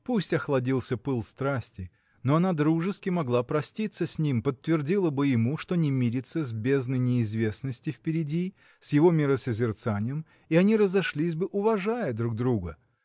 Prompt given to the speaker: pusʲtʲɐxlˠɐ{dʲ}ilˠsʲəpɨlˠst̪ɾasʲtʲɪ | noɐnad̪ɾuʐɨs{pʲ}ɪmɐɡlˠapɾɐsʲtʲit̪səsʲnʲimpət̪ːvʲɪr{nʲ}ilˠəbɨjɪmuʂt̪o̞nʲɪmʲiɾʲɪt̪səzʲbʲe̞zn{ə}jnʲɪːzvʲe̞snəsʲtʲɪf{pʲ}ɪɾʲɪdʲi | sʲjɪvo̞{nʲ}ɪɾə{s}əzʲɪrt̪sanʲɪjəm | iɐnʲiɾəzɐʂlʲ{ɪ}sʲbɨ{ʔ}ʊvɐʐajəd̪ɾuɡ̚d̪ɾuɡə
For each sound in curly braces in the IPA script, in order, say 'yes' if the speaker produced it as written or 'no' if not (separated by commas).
yes, no, no, yes, yes, no, yes, no, yes